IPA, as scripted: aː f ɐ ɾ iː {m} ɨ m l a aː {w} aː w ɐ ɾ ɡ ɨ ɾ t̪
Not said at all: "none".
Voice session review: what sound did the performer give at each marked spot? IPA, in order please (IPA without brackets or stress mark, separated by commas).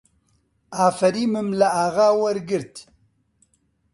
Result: m, ɣ